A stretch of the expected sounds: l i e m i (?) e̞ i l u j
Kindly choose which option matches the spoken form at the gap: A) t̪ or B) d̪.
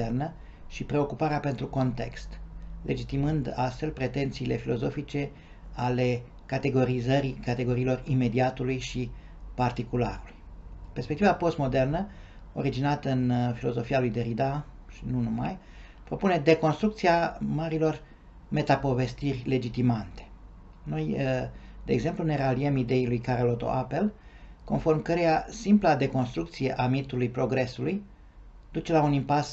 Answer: B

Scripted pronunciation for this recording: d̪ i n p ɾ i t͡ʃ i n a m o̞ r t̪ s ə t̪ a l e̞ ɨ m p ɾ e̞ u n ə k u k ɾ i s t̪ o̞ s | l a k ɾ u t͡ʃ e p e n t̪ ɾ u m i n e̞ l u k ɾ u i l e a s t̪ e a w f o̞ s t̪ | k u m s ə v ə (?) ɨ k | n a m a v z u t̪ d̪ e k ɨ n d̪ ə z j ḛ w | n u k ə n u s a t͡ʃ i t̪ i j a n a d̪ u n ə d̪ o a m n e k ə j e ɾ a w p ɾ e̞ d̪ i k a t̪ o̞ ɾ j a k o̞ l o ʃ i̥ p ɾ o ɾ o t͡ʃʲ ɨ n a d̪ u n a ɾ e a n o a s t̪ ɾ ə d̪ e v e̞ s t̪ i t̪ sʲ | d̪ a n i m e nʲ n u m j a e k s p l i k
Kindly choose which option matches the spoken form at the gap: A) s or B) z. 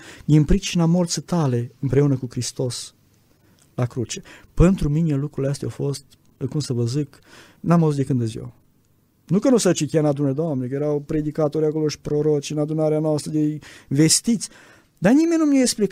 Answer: B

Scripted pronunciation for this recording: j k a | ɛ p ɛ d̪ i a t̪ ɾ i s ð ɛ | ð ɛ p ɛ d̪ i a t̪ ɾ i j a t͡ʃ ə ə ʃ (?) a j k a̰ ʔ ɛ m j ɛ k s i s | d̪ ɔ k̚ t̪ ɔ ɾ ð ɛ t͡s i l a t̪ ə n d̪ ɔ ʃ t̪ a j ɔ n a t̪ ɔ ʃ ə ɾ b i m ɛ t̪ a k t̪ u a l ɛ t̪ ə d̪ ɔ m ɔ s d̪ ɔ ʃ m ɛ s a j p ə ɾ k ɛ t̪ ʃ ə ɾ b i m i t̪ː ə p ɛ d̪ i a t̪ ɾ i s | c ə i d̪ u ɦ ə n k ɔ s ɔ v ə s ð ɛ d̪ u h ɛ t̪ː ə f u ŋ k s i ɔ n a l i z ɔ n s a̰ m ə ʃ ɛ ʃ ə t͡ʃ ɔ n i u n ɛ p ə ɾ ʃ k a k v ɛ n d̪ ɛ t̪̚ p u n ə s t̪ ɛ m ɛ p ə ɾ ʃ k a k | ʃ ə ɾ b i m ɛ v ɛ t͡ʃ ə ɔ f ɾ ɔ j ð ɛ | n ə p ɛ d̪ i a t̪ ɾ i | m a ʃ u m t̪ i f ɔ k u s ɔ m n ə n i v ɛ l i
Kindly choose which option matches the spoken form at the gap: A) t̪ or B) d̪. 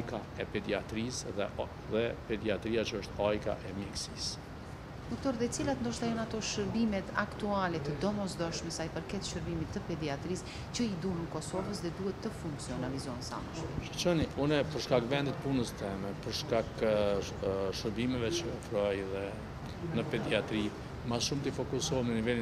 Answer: A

